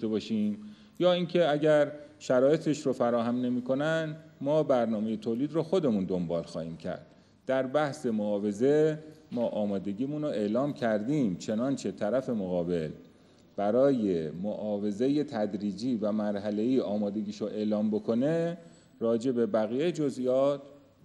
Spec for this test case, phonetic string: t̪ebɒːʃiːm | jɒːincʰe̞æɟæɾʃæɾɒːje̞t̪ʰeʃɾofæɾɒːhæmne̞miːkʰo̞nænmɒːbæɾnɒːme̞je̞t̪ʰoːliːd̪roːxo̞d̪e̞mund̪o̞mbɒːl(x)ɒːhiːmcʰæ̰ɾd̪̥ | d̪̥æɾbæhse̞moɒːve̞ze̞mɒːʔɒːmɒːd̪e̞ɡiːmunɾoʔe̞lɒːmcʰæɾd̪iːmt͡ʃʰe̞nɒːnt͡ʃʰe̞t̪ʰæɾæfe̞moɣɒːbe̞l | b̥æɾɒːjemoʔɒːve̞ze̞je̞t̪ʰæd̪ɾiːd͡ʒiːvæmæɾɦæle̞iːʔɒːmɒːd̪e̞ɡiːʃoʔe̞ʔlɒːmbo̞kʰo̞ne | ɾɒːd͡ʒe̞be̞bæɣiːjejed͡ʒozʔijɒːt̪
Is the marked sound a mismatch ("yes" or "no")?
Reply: no